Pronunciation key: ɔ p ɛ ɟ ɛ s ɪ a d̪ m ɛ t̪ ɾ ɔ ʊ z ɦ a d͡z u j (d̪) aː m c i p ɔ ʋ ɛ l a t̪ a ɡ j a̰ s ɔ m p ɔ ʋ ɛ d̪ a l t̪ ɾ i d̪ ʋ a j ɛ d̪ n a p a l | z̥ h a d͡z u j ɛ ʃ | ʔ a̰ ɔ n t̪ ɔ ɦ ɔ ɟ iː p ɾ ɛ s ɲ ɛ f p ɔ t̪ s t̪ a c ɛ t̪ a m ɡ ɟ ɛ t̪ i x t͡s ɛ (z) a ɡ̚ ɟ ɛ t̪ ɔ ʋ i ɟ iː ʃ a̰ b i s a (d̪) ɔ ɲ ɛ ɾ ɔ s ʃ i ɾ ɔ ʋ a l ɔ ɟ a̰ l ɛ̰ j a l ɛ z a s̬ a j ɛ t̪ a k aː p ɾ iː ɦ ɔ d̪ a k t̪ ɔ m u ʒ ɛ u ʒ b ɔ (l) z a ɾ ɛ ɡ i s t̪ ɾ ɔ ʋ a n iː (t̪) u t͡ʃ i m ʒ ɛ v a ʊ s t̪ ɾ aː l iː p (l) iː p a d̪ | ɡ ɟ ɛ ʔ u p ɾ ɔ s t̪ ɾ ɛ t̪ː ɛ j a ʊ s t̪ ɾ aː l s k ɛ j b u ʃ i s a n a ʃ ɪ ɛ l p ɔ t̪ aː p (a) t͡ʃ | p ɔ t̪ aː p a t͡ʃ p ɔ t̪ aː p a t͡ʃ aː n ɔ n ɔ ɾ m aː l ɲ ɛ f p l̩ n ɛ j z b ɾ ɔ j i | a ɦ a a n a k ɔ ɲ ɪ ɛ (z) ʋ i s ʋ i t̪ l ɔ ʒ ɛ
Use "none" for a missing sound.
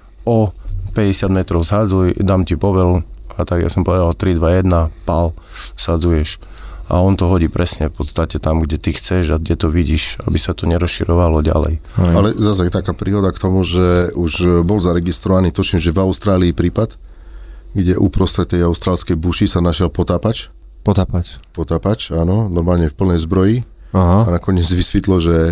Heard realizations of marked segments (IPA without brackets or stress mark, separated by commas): d̪, ʒ, t̪, l, t̪, ɾ, a, d͡z